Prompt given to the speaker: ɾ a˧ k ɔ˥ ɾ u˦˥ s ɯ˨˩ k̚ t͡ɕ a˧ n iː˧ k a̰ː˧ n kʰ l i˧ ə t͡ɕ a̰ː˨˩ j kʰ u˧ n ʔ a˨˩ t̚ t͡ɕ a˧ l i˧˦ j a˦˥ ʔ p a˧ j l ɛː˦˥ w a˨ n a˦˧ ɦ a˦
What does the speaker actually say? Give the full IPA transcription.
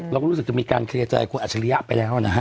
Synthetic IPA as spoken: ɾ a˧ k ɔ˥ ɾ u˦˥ s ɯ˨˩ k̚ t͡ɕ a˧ m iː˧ k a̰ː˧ n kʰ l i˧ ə t͡ɕ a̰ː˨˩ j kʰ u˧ n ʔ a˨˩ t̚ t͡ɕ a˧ l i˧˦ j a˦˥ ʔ p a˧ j l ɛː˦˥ w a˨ n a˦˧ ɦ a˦

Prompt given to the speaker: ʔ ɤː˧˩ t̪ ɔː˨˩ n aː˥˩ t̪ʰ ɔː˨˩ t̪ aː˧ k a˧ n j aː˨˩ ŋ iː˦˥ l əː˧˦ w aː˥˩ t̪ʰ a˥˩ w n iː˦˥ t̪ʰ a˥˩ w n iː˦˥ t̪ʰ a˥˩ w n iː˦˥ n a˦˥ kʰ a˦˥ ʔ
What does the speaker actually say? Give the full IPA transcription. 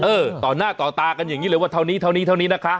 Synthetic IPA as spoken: ʔ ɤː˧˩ t̪ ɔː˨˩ n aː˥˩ t̪ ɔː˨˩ t̪ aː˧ k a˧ n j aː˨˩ ŋ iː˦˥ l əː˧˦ w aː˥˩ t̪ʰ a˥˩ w n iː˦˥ t̪ʰ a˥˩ w n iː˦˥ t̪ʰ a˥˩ w n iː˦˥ n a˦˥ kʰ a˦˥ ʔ

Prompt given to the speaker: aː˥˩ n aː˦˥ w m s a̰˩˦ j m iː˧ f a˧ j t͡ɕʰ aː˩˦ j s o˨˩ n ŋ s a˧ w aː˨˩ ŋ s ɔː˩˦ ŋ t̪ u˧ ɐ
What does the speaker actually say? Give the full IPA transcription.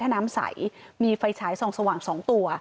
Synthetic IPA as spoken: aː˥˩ n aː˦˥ m s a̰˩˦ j m iː˧ f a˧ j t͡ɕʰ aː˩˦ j s o˨˩ ŋ s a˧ w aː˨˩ ŋ s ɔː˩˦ ŋ t̪ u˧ ɐ

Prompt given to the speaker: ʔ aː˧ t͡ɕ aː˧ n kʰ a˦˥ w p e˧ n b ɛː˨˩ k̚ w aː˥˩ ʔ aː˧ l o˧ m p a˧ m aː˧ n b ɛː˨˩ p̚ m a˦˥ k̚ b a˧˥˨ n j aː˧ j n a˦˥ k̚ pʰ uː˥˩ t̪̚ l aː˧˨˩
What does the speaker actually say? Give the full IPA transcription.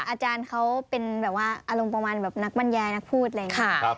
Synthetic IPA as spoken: ʔ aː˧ t͡ɕ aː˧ n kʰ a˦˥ w p e˧ n b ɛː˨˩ p̚ w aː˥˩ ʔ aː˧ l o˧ m p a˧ m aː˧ n b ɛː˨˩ p̚ n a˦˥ k̚ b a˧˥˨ n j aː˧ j n a˦˥ k̚ pʰ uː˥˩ t̪̚ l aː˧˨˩

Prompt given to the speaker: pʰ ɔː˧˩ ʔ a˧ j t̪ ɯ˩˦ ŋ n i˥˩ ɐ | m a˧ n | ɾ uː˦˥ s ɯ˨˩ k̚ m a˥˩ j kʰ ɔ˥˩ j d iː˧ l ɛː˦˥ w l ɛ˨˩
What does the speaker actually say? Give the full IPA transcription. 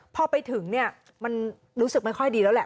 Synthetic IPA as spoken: pʰ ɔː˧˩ p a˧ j t̪ʰ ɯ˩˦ ŋ n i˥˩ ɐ | m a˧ n | ɾ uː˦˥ s ɯ˨˩ k̚ m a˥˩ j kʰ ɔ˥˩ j d iː˧ l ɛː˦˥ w l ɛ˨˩

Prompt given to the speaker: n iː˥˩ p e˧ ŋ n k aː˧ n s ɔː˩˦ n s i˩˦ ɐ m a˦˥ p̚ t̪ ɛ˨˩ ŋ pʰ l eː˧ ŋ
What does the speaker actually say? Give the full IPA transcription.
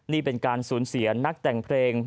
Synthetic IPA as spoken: n iː˥˩ p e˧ n k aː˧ n s uː˩˦ n s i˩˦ ɐ n a˦˥ k̚ t̪ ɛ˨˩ ŋ pʰ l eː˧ ŋ

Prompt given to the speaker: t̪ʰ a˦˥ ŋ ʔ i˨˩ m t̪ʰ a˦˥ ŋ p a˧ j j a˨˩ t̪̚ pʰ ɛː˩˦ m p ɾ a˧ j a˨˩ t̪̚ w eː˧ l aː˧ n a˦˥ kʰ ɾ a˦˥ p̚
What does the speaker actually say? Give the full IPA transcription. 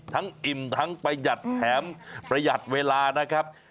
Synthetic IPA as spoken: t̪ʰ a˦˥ ŋ ʔ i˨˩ m t̪ʰ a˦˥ ŋ p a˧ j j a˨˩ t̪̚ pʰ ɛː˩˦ m p ɾ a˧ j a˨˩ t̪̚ w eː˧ l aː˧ n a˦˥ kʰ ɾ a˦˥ p̚

